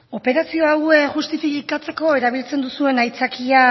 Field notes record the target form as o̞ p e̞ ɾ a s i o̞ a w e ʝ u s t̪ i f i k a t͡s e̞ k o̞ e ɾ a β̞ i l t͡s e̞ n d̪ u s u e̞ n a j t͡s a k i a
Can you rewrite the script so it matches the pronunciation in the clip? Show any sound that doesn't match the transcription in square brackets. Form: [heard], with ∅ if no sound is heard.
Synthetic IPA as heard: o̞ p e̞ ɾ a s i o̞ a w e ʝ u s t̪ i f i k a t͡s e̞ k o̞ e ɾ a β̞ i l t͡s e̞ n d̪ u s u e̞ n a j t͡s a k i a